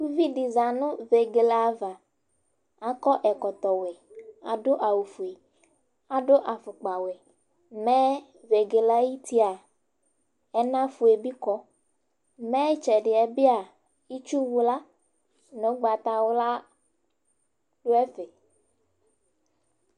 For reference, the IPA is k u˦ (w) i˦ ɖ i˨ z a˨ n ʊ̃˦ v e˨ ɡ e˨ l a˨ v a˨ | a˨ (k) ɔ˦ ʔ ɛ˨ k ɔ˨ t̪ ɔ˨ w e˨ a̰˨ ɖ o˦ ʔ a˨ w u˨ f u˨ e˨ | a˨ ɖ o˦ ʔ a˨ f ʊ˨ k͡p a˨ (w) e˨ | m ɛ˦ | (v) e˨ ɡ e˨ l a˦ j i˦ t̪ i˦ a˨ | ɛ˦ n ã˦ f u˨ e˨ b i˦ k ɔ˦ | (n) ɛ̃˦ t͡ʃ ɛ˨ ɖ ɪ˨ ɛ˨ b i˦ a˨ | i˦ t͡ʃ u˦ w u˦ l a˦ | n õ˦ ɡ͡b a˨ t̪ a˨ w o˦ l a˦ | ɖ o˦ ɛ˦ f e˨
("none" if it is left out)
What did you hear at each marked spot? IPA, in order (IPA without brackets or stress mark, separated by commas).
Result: v, k, w, v, m